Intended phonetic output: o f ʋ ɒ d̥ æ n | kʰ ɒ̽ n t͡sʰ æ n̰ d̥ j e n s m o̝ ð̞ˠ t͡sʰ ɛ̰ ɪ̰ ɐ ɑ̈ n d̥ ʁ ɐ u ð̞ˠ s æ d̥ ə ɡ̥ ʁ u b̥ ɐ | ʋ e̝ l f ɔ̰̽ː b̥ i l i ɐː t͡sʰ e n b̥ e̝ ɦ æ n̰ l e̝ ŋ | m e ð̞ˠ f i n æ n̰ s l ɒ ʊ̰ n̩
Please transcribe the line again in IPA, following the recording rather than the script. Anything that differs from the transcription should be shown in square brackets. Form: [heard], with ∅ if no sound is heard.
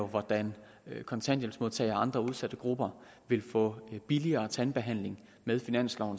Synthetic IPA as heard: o [∅] ʋ ɒ d̥ æ n | kʰ ɒ̽ n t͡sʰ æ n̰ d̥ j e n s m o̝ ð̞ˠ t͡sʰ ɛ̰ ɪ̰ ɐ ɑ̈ n d̥ ʁ ɐ u ð̞ˠ s æ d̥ ə ɡ̥ ʁ u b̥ ɐ | ʋ e̝ l f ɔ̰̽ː b̥ i l i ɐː t͡sʰ [æ] n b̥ e̝ ɦ æ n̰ l e̝ ŋ | m e ð̞ˠ f i n æ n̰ s l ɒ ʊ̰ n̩